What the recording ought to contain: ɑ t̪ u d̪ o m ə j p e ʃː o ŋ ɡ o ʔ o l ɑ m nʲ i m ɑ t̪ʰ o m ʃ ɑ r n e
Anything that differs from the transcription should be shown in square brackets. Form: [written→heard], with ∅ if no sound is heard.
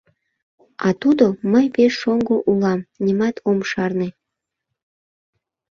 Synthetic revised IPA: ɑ t̪ u d̪ o m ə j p e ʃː o ŋ ɡ o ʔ [o→u] l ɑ m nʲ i m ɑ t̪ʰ o m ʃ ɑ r n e